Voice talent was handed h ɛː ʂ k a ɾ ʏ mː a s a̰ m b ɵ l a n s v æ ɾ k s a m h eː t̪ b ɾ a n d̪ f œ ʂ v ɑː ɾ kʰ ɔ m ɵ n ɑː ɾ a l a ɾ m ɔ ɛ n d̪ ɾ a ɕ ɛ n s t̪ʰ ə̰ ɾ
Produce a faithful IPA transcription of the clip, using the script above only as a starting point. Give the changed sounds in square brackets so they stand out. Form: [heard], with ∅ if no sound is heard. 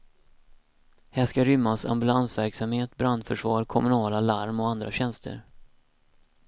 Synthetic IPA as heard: h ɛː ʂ k a ɾ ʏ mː a s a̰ m b ɵ l a n s v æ ɾ k s a m h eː t̪ b ɾ a n d̪ f œ ʂ v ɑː ɾ kʰ ɔ m ɵ n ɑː [l] a l a ɾ m ɔ [a] n d̪ ɾ a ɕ ɛ n s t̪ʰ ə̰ ɾ

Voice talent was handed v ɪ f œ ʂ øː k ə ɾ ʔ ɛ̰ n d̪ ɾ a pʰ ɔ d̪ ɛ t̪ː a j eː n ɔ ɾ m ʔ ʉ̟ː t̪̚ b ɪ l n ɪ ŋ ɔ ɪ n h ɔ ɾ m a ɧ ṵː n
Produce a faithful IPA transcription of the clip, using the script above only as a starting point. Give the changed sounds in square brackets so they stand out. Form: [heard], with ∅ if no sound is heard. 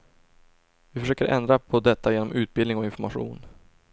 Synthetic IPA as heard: v ɪ f œ ʂ øː k ə ɾ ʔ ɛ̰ n d̪ ɾ a pʰ ɔ d̪ ɛ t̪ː a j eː n ɔ [∅] m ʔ ʉ̟ː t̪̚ b ɪ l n ɪ ŋ ɔ ɪ n [f] ɔ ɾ m a ɧ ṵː n

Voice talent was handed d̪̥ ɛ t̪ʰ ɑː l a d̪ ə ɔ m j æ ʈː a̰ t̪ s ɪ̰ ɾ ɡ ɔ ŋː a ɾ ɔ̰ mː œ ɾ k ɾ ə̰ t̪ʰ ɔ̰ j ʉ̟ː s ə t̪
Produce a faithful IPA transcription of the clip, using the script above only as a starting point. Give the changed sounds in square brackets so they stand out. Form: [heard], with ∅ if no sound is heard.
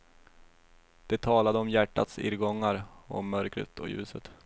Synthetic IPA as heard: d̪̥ ɛ t̪ʰ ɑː l a d̪ ə ɔ m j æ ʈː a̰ t̪ s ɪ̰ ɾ ɡ ɔ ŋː a ɾ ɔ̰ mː œ ɾ k ɾ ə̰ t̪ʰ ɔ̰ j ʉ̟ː s ə t̪

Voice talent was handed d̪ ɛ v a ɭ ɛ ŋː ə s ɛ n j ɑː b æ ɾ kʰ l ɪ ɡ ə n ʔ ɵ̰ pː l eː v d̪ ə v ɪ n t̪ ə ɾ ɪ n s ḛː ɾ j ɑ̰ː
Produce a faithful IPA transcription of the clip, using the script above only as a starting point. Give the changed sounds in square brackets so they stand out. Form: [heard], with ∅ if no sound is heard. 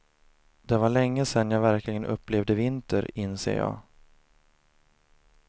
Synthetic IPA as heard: d̪ ɛ v a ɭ ɛ ŋː ə s ɛ n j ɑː [v] æ ɾ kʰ l ɪ ɡ ə n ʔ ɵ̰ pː l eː v d̪ ə v ɪ n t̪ ə ɾ ɪ n s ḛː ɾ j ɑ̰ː

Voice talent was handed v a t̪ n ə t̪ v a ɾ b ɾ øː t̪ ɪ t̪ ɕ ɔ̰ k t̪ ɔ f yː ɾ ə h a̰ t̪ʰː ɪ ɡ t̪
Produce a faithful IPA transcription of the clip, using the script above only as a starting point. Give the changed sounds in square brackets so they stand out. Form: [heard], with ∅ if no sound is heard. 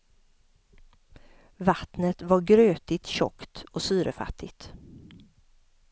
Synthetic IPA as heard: v a t̪ n ə t̪ v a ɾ [ɡ] ɾ øː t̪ ɪ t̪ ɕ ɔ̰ k t̪ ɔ [s] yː ɾ ə [f] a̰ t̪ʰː ɪ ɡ t̪

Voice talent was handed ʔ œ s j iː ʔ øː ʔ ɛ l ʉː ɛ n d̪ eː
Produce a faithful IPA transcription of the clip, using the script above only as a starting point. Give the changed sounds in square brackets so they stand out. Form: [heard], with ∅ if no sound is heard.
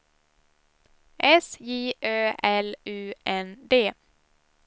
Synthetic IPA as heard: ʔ [ɛ] s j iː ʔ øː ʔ ɛ l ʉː ɛ n d̪ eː

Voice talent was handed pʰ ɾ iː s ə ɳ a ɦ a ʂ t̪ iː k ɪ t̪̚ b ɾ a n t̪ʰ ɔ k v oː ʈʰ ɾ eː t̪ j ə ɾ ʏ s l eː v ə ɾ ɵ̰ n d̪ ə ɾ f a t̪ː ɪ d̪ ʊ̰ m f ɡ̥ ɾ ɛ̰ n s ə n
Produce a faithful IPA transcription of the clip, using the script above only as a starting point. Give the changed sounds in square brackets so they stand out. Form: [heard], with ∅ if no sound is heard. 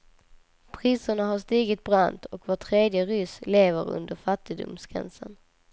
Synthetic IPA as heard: pʰ ɾ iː s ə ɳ a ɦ a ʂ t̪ iː [ɡ] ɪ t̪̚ b ɾ a n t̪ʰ ɔ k v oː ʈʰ ɾ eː [d̪] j ə ɾ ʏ s l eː v ə ɾ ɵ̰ n d̪ ə ɾ f a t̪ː ɪ d̪ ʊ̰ m [s] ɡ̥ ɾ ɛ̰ n s ə n

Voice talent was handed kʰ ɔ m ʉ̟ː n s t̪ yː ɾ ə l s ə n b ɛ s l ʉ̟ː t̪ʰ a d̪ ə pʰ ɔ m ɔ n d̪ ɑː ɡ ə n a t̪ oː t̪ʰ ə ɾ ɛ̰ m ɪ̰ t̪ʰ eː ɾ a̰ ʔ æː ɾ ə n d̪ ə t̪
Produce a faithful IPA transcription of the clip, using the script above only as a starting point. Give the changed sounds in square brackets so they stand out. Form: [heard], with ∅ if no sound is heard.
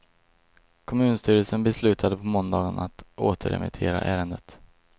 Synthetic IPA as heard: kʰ ɔ m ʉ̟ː n s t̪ yː ɾ ə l s ə n b ɛ s l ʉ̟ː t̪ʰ a d̪ ə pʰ ɔ m ɔ n d̪ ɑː ɡ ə n a t̪ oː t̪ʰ ə ɾ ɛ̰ m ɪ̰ t̪ʰ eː ɾ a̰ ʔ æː ɾ ə n d̪ ə t̪

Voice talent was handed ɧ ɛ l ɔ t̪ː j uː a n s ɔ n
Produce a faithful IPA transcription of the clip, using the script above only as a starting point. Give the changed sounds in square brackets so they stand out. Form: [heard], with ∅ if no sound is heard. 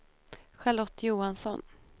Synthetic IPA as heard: ɧ [a] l ɔ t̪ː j uː a n s ɔ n

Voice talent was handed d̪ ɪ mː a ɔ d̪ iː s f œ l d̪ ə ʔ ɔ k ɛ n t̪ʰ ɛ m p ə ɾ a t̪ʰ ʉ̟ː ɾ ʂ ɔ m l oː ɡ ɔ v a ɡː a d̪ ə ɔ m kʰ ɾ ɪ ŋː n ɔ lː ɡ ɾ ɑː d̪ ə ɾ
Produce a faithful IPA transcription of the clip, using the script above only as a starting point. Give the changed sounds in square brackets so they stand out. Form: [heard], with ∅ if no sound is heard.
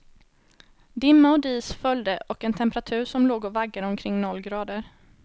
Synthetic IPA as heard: d̪ ɪ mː a ɔ d̪ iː s f œ l d̪ ə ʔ ɔ k ɛ n t̪ʰ ɛ m p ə ɾ a t̪ʰ ʉ̟ː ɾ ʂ ɔ m l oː ɡ ɔ v a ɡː a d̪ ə ɔ m kʰ ɾ ɪ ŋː n ɔ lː ɡ ɾ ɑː d̪ ə ɾ

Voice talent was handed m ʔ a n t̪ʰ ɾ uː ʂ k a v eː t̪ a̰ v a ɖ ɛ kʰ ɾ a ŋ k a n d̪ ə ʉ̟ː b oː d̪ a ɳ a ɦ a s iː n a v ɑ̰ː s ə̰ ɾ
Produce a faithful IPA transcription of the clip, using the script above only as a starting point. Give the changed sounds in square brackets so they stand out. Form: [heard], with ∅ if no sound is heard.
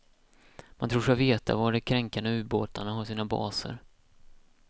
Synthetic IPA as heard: m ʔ a n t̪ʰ ɾ uː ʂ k a v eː t̪ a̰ v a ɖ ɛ kʰ ɾ [ɛ] ŋ k a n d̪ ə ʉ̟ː b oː [t̪] a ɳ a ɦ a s iː n a [b] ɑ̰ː s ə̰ ɾ

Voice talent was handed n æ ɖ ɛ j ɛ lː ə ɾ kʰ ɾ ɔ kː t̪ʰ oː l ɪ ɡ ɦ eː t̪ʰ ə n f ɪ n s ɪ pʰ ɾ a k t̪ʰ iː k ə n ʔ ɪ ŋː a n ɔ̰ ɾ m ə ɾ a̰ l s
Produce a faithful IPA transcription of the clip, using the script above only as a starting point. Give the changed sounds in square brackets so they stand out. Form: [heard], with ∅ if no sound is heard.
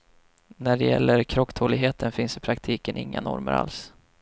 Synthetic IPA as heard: n æ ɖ ɛ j ɛ lː ə ɾ kʰ ɾ ɔ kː t̪ʰ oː l ɪ ɡ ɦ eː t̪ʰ ə n f ɪ n s ɪ pʰ ɾ a k t̪ʰ iː k ə n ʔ ɪ ŋː a n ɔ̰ ɾ m ə ɾ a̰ l s

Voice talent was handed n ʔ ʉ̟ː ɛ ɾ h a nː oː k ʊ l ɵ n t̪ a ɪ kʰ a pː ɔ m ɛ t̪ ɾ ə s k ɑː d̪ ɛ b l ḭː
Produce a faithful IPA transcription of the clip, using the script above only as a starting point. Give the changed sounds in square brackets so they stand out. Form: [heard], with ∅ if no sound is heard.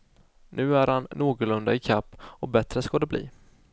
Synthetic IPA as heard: n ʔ ʉ̟ː [æ] ɾ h a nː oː [ɡ] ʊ l ɵ n [d̪] a ɪ kʰ a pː ɔ [b] ɛ t̪ ɾ ə s k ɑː d̪ ɛ b l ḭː

